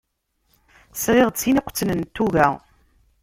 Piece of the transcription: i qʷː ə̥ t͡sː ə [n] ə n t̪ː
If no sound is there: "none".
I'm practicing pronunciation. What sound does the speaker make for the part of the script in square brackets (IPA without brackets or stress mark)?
n